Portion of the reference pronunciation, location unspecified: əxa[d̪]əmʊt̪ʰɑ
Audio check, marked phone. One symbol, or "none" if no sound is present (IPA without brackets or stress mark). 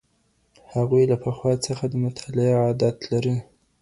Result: d̪